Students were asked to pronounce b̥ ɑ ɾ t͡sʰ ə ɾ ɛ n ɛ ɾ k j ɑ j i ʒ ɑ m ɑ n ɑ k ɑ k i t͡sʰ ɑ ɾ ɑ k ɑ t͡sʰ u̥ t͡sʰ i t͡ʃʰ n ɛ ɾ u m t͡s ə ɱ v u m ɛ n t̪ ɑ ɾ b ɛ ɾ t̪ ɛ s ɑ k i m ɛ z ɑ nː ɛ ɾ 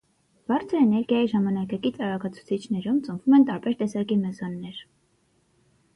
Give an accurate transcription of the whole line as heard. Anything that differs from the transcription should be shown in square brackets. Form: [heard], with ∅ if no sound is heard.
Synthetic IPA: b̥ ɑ ɾ t͡sʰ ə ɾ ɛ n ɛ ɾ [ɡ] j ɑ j i ʒ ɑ m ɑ n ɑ k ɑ k i [t͡s] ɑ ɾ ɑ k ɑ t͡sʰ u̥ t͡sʰ i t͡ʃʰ n ɛ ɾ u m t͡s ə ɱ v u m ɛ n t̪ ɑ ɾ b ɛ ɾ t̪ ɛ s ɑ k i m ɛ z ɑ nː ɛ ɾ